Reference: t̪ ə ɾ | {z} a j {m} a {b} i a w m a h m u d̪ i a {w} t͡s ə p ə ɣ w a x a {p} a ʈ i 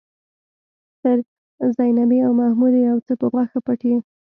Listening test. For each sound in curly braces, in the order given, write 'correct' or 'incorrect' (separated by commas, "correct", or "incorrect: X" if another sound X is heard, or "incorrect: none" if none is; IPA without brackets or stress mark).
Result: correct, incorrect: n, correct, correct, correct